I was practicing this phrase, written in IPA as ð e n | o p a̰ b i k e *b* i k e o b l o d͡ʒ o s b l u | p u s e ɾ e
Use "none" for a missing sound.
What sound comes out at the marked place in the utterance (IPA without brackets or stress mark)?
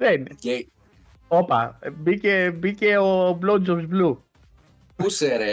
b